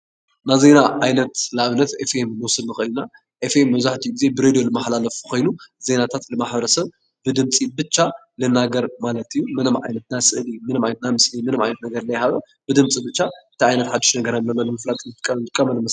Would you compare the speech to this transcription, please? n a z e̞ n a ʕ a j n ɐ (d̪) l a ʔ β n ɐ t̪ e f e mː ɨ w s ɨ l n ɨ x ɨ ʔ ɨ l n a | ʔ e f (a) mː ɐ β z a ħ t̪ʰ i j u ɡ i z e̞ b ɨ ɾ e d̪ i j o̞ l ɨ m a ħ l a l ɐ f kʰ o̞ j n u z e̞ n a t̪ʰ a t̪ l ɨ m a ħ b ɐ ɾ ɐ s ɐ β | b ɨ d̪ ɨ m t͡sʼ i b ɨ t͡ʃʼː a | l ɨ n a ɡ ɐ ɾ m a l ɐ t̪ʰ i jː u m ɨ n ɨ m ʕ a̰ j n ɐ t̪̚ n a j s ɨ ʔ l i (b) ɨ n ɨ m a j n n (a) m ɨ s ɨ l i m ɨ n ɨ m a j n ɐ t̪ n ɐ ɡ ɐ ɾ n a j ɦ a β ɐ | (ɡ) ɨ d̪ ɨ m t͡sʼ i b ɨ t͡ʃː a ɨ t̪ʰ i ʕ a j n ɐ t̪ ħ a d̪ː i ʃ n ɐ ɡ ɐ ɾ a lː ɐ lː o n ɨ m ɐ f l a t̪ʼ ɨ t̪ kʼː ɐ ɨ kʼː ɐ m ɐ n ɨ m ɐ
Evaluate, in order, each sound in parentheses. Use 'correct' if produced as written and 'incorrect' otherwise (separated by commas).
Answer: incorrect, incorrect, incorrect, correct, incorrect